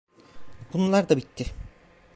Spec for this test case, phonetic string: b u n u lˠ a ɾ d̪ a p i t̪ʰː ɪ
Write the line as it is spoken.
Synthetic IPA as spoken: b u n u lˠ a ɾ d̪ a b i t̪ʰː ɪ